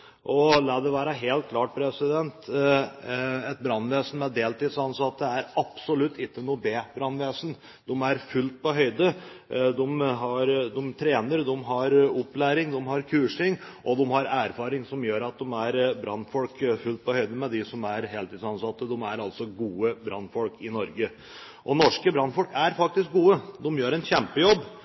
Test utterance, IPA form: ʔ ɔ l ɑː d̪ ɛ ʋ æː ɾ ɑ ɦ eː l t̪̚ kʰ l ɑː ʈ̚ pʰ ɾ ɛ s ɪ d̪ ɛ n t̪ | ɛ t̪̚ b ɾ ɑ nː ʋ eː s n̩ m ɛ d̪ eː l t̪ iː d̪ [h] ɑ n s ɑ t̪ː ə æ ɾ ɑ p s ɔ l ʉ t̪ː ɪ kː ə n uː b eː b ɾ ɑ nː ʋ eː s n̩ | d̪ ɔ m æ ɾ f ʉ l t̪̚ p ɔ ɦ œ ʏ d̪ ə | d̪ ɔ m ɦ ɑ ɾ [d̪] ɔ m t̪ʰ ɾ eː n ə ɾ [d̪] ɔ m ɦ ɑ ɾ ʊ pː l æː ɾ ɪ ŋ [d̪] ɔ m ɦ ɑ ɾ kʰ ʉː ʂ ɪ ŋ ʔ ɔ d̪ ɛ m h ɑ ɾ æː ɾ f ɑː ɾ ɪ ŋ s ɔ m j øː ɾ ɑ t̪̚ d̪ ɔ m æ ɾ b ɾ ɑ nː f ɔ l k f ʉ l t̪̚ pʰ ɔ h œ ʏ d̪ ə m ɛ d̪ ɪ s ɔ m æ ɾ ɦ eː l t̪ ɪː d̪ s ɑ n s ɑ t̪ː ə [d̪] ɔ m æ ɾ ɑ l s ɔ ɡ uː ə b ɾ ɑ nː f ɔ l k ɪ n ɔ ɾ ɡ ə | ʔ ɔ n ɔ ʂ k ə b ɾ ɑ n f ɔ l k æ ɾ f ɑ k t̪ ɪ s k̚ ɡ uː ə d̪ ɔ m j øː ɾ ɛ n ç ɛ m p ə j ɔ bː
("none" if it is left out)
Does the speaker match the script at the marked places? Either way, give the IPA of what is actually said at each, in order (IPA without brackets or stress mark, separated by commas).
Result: s, d̪, d̪, d̪, d̪